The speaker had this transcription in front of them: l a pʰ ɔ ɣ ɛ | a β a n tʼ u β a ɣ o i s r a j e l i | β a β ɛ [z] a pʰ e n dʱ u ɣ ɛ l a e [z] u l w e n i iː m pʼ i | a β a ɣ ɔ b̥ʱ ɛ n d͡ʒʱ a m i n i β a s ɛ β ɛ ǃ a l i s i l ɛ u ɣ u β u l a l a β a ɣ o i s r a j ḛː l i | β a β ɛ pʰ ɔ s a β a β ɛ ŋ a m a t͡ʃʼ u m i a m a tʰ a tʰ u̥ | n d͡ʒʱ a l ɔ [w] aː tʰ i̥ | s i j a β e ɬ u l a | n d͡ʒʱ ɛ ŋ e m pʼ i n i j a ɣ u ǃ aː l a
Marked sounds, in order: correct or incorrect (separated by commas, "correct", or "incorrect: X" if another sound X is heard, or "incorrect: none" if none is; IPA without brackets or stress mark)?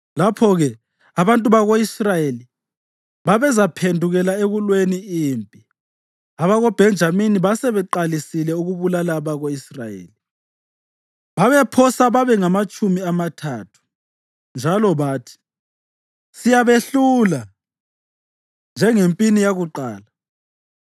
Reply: correct, incorrect: ɣ, incorrect: β